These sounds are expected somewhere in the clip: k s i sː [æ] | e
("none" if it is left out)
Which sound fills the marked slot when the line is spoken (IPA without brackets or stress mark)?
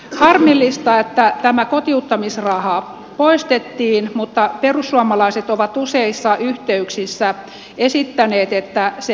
æ